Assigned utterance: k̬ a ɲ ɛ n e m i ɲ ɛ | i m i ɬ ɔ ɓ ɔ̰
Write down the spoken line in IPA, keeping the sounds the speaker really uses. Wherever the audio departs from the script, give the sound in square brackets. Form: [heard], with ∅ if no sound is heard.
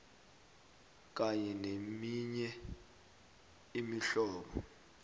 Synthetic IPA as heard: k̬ a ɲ ɛ n e m i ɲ ɛ | i m i ɬ [ɔː] ɓ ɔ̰